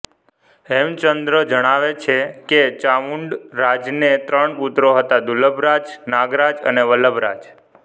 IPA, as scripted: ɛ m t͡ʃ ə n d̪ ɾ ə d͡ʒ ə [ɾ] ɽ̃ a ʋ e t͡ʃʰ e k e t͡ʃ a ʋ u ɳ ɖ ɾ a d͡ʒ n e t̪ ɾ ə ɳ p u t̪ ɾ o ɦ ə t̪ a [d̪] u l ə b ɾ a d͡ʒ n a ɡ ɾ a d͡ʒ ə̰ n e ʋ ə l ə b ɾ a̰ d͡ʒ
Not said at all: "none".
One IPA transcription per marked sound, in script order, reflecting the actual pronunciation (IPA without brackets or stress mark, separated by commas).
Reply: none, d̪